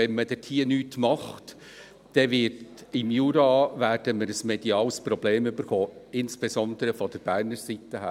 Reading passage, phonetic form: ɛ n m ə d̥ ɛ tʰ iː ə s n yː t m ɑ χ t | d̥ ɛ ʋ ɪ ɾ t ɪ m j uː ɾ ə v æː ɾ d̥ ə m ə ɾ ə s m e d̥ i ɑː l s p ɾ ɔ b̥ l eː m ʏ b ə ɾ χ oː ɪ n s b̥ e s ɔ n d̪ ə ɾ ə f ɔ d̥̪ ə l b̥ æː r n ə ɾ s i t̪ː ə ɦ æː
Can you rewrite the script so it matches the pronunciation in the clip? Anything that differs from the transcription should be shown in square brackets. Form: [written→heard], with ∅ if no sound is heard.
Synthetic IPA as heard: ɛ n m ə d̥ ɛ tʰ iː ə [s→∅] n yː t m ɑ χ t | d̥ ɛ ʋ ɪ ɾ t ɪ m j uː ɾ [ə→ɑ] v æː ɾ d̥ ə m ə ɾ ə s m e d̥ i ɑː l s p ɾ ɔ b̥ l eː m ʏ b ə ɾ χ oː ɪ n s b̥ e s ɔ n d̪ ə ɾ ə f ɔ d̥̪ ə [l→ɾ] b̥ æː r n ə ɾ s i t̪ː ə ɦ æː